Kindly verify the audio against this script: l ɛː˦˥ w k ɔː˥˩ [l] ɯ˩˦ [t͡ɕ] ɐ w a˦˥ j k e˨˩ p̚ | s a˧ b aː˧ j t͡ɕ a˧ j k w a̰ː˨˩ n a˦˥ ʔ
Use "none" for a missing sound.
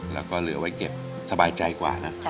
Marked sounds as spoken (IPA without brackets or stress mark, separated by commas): l, none